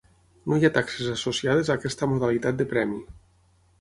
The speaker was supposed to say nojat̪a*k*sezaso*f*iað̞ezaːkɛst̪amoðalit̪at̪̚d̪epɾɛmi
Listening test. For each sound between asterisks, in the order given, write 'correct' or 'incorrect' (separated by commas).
correct, incorrect